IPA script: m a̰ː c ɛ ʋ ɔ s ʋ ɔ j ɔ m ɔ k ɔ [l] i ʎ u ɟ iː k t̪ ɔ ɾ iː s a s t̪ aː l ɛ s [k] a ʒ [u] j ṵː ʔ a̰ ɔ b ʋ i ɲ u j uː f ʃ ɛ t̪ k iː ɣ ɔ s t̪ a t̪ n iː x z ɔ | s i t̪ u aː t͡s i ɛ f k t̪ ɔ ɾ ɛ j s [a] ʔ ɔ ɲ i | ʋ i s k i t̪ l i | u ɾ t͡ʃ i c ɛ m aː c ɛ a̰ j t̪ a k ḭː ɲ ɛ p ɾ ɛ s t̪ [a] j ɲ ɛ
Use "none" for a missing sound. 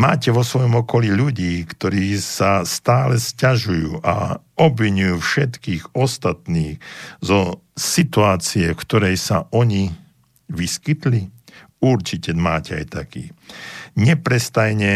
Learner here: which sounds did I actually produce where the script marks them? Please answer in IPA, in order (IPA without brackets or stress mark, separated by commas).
l, c, u, a, a